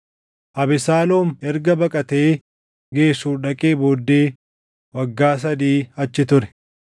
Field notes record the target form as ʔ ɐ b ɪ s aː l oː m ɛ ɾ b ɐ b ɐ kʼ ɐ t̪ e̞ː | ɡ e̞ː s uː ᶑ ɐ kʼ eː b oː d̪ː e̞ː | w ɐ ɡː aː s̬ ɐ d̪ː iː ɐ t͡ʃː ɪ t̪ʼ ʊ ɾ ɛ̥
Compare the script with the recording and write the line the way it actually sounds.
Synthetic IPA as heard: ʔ ɐ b ɪ s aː l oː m ɛ ɾ ɡ ɐ b ɐ kʼ ɐ t̪ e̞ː | ɡ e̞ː s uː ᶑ ɐ kʼ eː b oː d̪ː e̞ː | w ɐ ɡː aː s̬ ɐ d̪ iː ɐ t͡ʃː ɪ t̪ ʊ ɾ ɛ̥

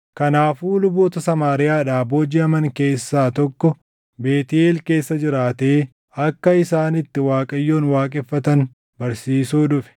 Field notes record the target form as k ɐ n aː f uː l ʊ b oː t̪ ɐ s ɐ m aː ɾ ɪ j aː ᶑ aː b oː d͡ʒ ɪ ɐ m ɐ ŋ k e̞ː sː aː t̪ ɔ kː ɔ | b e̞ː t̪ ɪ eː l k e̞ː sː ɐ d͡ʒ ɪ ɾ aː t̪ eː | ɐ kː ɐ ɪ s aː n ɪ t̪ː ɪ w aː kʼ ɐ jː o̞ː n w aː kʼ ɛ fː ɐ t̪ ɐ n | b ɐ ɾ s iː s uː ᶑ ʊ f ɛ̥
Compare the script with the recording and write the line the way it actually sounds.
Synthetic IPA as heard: k ɐ n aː f uː l ʊ b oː t̪ ɐ s ɐ m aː ɾ ɪ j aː ᶑ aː b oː d͡ʒ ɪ ɐ m ɐ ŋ k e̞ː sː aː t̪ ɔ kː ɔ | b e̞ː t̪ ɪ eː l k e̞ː sː ɐ d͡ʒ ɪ ɾ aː t̪ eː | ɐ kː ɐ ɪ s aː n ɪ t̪ː ɪ w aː kʼ ɐ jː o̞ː n w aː kʼ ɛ fː ɐ t̪ ɐ n | b ɐ ɾ s iː s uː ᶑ ʊ f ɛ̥

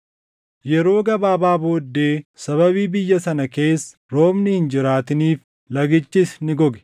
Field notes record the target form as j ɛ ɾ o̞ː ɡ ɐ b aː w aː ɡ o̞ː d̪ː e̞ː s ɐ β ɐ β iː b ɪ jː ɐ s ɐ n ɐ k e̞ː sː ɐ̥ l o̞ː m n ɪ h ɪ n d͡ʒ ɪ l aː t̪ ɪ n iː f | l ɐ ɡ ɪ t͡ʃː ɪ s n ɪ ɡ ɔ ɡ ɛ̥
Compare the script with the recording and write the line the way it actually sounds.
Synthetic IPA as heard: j ɛ ɾ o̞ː ɡ ɐ b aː b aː b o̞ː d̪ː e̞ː s ɐ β ɐ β iː b ɪ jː ɐ s ɐ n ɐ k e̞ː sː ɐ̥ ɾ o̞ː m n ɪ h ɪ n d͡ʒ ɪ ɾ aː t̪ ɪ n iː f | l ɐ ɡ ɪ t͡ʃː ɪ s n ɪ ɡ ɔ ɡ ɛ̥

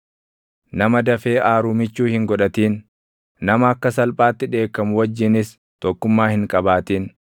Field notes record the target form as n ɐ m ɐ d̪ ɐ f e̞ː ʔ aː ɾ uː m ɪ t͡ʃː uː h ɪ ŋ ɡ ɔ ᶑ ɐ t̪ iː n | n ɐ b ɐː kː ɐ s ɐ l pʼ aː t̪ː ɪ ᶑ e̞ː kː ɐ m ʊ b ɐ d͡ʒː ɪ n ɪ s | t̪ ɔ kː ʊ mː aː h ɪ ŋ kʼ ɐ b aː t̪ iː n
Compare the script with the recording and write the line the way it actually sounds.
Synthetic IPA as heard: n ɐ m ɐ d̪ ɐ f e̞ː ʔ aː ɾ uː m ɪ t͡ʃː uː h ɪ ŋ ɡ ɔ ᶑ ɐ t̪ iː n | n ɐ m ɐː kː ɐ s ɐ l pʼ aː t̪ː ɪ ᶑ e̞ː kː ɐ m ʊ w ɐ d͡ʒː ɪ n ɪ s | t̪ ɔ kː ʊ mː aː h ɪ ŋ kʼ ɐ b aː t̪ iː n

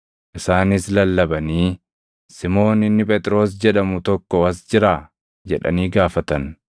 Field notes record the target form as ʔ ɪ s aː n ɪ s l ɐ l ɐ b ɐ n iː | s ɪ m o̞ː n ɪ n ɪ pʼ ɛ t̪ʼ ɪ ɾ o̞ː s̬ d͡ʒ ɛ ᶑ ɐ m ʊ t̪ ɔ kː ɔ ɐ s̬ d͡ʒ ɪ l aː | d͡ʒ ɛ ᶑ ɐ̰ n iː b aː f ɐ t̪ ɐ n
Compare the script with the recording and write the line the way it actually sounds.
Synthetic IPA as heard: ʔ ɪ s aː n ɪ s l ɐ lː ɐ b ɐ n iː | s ɪ m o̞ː n ɪ nː ɪ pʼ ɛ t̪ʼ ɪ ɾ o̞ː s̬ d͡ʒ ɛ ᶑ ɐ m ʊ t̪ ɔ kː ɔ ɐ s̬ d͡ʒ ɪ ɾ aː | d͡ʒ ɛ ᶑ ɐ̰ n iː ɡ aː f ɐ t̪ ɐ n

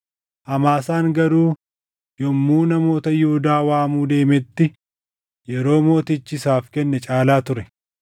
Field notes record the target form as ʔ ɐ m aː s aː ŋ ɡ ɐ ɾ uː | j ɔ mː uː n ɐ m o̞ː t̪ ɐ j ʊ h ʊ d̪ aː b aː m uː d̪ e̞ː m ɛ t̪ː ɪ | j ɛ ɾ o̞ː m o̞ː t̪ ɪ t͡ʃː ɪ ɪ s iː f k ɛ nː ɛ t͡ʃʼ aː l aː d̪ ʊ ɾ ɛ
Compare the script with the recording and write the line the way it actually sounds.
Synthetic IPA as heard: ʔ ɐ m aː s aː ŋ ɡ ɐ ɾ uː | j ɔ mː uː n ɐ m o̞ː t̪ ɐ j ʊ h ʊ d̪ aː w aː m uː d̪ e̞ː m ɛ t̪ː ɪ | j ɛ ɾ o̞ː m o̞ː t̪ ɪ t͡ʃː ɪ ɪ s aː f k ɛ nː ɛ t͡ʃʼ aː l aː t̪ ʊ ɾ ɛ

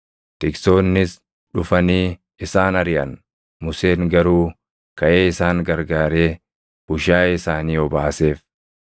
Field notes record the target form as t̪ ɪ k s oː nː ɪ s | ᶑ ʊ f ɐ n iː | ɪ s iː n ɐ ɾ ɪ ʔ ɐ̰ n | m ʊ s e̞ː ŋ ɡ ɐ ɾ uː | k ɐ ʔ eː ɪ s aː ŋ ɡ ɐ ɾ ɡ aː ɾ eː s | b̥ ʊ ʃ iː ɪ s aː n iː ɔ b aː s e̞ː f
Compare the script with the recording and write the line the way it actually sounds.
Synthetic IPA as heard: t̪ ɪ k s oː nː ɪ s | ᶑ ʊ f ɐ n iː | ɪ s aː n ɐ ɾ ɪ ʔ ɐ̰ n | m ʊ s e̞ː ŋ ɡ ɐ ɾ uː | k ɐ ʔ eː ɪ s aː ŋ ɡ ɐ ɾ ɡ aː ɾ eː | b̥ ʊ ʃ aː ɪ s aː n iː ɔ b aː s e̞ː f

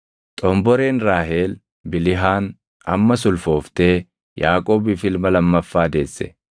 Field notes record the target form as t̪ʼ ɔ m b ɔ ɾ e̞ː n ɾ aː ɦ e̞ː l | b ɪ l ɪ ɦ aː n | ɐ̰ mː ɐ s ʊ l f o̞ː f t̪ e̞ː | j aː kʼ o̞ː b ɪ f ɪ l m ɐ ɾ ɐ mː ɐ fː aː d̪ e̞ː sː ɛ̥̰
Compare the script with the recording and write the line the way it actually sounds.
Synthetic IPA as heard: t̪ʼ ɔ m b ɔ ɾ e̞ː n ɾ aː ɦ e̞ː l | b ɪ l ɪ ɦ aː n | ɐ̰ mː ɐ s ʊ l f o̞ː f t̪ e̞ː | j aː kʼ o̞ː b ɪ f ɪ l m ɐ l ɐ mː ɐ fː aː d̪ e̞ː sː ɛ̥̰

